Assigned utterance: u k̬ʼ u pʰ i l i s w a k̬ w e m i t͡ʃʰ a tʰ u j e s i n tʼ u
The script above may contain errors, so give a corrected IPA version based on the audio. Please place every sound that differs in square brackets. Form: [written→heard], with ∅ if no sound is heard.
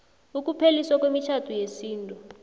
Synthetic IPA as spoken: u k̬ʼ u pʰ [i→e] l i s w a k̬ w e m i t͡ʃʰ a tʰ u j e s [i→iː] n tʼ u

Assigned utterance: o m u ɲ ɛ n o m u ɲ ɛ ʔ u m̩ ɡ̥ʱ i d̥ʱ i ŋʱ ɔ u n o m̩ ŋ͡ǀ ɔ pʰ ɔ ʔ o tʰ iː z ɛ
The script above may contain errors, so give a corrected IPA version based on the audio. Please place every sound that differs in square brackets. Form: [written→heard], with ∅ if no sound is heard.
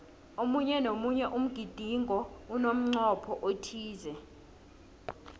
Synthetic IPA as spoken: o m u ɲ ɛ n o m u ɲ ɛ ʔ u m̩ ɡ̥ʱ i d̥ʱ i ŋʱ ɔ u n o m̩ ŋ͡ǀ ɔ pʰ ɔ ʔ o tʰ iː z ɛ

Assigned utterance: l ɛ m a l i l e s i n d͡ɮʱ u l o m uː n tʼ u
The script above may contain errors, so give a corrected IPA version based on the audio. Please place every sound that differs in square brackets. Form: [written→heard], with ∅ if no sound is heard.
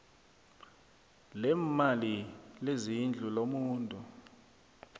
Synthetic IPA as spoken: l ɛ m a l i l e [s→z] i n d͡ɮʱ u l o m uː n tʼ u

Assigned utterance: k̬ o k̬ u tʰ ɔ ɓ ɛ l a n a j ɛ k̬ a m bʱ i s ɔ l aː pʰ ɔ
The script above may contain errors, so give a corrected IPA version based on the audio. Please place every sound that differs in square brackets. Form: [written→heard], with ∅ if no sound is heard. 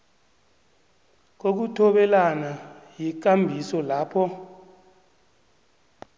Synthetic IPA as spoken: k̬ o k̬ u tʰ ɔ ɓ ɛ l a n a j [ɛ→i] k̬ a m bʱ i s ɔ l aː pʰ ɔ

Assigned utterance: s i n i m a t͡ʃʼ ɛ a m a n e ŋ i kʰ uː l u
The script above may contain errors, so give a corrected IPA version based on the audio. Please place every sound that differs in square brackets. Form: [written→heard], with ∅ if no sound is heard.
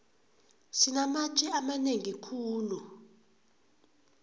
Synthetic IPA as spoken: s i n [i→a] m a t͡ʃʼ ɛ a m a n e ŋ i kʰ uː l u

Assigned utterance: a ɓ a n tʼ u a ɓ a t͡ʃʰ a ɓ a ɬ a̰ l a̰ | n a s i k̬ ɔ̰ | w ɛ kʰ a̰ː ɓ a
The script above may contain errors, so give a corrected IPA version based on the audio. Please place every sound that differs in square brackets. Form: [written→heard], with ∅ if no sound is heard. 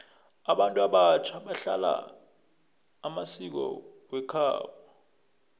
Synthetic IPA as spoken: a ɓ a n tʼ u a ɓ a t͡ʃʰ a ɓ a ɬ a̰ l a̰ | [n→m] a s i k̬ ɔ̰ | w ɛ kʰ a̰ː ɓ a

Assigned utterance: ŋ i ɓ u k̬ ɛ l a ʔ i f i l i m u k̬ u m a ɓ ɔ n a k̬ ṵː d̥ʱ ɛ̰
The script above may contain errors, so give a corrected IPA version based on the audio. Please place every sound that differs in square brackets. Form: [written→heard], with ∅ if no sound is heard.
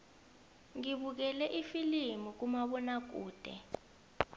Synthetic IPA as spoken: ŋ i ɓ u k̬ ɛ l [a→ɛ] ʔ i f i l i m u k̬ u m a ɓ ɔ n a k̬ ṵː d̥ʱ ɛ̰

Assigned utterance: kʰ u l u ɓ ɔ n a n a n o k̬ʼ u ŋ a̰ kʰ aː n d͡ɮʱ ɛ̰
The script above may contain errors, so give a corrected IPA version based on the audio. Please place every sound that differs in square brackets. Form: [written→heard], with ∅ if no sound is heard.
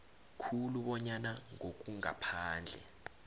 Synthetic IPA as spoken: kʰ u l u ɓ ɔ [n→ɲ] a n a [n→ŋ] o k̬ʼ u ŋ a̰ [kʰ→pʰ] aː n d͡ɮʱ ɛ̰

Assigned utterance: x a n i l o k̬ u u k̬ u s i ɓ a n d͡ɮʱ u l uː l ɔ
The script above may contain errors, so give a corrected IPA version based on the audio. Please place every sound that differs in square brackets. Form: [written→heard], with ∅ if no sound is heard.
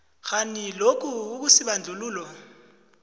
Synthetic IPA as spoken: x a n i l o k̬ u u k̬ u s i ɓ a n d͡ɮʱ u l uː l ɔ

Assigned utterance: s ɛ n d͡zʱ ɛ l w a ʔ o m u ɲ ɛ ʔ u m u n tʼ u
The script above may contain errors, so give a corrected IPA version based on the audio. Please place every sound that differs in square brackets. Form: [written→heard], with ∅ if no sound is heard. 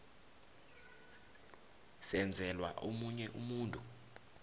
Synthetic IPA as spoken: s ɛ n d͡zʱ ɛ l w a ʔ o m u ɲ ɛ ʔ u m [u→uː] n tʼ u

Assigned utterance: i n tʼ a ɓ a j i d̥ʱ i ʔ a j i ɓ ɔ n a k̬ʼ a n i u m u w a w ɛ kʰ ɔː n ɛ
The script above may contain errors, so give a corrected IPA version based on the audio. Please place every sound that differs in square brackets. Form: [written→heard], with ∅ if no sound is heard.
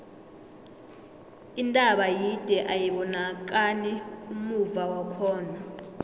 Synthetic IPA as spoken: i n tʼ a ɓ a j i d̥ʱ [i→ɛ] ʔ a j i ɓ ɔ n a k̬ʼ a n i u m u [w→v] a w [ɛ→a] kʰ ɔː n [ɛ→a]

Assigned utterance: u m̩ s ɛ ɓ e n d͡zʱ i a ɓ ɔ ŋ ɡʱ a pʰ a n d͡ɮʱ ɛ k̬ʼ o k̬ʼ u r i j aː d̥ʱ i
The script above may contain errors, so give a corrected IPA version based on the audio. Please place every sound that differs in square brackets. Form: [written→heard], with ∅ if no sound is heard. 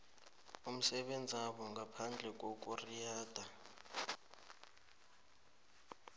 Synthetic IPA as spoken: u m̩ s ɛ ɓ e n d͡zʱ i a ɓ ɔ ŋ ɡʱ a pʰ a n d͡ɮʱ ɛ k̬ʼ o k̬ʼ u r i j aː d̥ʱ [i→a]

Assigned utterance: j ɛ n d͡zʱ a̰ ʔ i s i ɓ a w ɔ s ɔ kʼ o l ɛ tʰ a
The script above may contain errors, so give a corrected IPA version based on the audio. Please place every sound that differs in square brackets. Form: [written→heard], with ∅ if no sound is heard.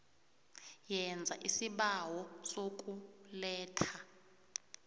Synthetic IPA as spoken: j ɛ n d͡zʱ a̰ ʔ i s i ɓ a w ɔ s [ɔ→o] kʼ [o→u] l [ɛ→ɛː] tʰ a

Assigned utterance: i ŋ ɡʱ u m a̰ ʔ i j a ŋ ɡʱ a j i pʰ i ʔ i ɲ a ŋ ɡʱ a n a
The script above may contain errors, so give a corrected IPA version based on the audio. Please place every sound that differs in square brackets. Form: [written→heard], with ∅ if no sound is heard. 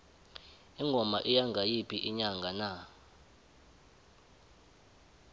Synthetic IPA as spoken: i ŋ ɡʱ [u→ɔ] m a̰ ʔ i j a ŋ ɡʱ a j i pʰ i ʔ i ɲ a ŋ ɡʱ a n a

